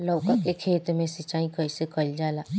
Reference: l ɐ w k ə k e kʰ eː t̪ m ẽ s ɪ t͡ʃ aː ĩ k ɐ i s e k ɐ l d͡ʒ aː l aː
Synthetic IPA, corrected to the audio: l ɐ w k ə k e kʰ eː t̪ m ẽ s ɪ t͡ʃ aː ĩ k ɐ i s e k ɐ l d͡ʒ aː l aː